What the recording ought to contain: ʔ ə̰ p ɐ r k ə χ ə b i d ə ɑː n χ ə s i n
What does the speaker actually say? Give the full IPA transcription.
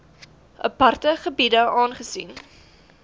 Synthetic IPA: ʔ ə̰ p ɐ r t ə χ ə b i d ə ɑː n χ ə s i n

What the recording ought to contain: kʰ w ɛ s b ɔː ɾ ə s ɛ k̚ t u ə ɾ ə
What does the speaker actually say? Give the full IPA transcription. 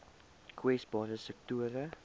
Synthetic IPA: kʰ w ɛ s b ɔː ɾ ə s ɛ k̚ t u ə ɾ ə

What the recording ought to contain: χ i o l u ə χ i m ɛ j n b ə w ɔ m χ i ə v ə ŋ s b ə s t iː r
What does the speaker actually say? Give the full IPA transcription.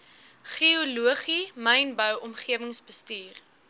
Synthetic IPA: χ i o l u ə χ i m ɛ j n b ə w ɔ m χ i ə v ə ŋ s b ə s t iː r

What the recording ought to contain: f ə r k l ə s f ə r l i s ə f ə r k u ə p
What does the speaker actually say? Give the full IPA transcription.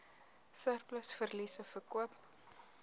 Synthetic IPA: s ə r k l ə s f ə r l i s ə f ə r k u ə p

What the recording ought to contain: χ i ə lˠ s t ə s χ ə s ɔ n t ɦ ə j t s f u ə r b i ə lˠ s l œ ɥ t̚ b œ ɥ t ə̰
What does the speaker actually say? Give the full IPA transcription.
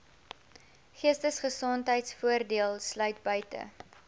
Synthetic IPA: χ i ə s t ə s χ ə s ɔ n t ɦ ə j t s f u ə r d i ə lˠ s l œ ɥ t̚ b œ ɥ t ə̰

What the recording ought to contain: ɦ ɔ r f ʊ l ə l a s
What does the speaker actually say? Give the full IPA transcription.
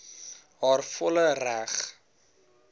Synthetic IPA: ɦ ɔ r f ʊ l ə r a χ

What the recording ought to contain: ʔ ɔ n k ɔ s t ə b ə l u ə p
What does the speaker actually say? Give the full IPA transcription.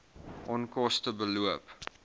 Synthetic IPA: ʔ ɔ n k ɔ s t ə b ə l u ə p

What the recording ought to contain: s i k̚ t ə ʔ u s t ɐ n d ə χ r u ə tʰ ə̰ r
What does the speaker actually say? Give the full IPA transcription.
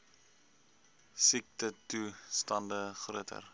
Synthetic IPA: s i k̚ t ə t u s t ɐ n d ə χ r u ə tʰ ə̰ r

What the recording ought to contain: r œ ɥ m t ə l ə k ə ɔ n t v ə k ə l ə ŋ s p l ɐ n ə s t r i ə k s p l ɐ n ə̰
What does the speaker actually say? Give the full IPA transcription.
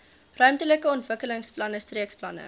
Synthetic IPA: r œ ɥ m t ə l ə k ə ɔ n t v ə k ə l ə ŋ s p l ɐ n ə s t r i ə k s p l ɐ n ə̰

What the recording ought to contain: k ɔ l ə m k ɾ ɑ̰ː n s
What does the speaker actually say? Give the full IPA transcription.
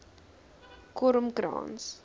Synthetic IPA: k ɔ ɾ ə m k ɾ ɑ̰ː n s

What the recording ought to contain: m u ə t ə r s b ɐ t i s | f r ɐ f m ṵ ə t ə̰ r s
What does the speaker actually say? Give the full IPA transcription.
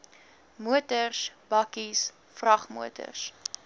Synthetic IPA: m u ə t ə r s b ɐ k i s | f r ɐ χ m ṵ ə t ə̰ r s

